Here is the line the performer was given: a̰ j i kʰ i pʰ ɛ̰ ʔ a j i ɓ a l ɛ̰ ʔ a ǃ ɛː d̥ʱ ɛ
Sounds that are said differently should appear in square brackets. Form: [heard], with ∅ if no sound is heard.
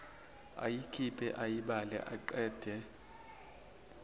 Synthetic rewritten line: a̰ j i kʰ i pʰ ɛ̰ ʔ a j i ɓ a l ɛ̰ ʔ a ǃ ɛː d̥ʱ ɛ